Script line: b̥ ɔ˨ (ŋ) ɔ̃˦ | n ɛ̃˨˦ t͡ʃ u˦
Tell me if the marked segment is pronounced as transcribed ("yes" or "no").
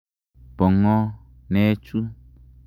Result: yes